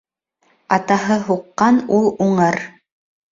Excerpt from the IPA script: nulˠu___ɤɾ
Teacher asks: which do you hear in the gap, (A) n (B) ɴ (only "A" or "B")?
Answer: B